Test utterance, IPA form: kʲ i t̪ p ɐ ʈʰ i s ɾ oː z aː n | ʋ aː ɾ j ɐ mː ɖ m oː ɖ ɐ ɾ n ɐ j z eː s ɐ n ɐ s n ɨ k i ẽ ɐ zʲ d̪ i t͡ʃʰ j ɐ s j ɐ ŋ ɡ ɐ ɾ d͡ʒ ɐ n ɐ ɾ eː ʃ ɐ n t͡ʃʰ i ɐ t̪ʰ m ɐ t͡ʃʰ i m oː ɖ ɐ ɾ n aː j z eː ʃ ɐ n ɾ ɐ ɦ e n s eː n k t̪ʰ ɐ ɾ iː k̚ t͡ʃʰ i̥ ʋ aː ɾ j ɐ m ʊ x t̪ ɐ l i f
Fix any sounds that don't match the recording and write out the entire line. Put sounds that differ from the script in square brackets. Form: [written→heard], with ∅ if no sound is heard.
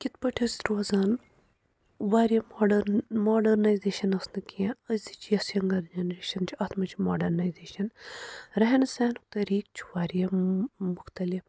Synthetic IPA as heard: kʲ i t̪ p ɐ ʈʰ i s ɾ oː z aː n | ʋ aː ɾ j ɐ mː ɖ m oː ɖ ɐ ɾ n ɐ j z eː [s→ʃ] ɐ n ɐ s n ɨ k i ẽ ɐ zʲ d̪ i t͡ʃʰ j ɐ s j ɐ ŋ ɡ ɐ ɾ d͡ʒ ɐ n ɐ ɾ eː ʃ ɐ n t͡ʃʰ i ɐ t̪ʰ m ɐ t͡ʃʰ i m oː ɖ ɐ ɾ n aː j z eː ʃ ɐ n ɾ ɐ ɦ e n s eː n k [t̪ʰ→t̪] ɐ ɾ iː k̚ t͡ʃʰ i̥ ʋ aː ɾ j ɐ m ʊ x t̪ ɐ l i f

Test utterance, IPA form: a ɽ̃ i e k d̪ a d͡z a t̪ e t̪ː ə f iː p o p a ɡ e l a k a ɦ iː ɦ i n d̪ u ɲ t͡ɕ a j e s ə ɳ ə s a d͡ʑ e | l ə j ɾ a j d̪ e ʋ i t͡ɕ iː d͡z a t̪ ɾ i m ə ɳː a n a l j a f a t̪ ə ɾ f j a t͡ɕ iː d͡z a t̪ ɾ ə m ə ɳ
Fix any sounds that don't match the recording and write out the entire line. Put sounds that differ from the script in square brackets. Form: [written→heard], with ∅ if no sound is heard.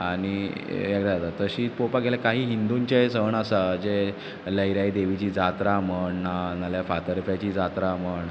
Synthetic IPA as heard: a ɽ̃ i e k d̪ a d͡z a t̪ [e→a] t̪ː ə [f→ɕ] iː p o p a ɡ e l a k a ɦ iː ɦ i n d̪ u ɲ t͡ɕ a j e s ə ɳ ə s a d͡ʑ e | l ə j ɾ a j d̪ e ʋ i t͡ɕ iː d͡z a t̪ ɾ [i→a] m ə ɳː a n a l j a f a t̪ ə ɾ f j a t͡ɕ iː d͡z a t̪ ɾ [ə→a] m ə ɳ

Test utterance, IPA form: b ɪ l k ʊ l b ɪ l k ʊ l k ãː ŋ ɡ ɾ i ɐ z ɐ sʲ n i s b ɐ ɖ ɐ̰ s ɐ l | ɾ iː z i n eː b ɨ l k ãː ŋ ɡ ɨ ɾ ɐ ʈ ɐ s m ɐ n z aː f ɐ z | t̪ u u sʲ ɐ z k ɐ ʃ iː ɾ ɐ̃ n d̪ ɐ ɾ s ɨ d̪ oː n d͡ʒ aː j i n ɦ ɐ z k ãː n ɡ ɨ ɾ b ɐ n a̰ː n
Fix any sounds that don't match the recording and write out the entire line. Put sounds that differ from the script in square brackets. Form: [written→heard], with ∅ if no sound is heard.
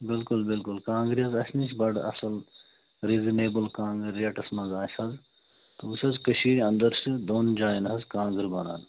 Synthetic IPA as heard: b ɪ l k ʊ l b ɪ l k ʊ l k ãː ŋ ɡ ɾ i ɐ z ɐ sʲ n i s b ɐ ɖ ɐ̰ s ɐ l | ɾ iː z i n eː b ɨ l k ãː ŋ ɡ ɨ ɾ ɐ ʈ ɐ s m ɐ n z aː [f→s] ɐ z | t̪ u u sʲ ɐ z k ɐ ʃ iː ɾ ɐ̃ n d̪ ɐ ɾ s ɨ d̪ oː n d͡ʒ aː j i n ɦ ɐ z k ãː [n→ŋ] ɡ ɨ ɾ b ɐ n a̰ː n

